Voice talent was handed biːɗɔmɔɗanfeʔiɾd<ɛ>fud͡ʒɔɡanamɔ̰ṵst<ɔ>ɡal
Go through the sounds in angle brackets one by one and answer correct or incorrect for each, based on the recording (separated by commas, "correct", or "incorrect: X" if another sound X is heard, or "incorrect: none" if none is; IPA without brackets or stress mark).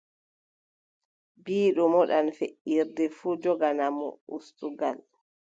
correct, incorrect: u